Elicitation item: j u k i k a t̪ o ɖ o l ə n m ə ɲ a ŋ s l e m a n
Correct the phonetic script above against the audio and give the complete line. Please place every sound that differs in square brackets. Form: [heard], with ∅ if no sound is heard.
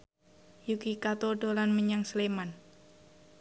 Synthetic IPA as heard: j u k i k a t̪ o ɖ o l [a] n m ə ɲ a ŋ s l e m a n